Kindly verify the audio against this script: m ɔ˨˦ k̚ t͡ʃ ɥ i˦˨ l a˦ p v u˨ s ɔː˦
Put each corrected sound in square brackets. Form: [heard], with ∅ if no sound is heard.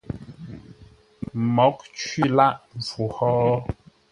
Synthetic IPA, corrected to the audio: m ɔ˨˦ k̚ t͡ʃ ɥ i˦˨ l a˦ [ʔ] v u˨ [h] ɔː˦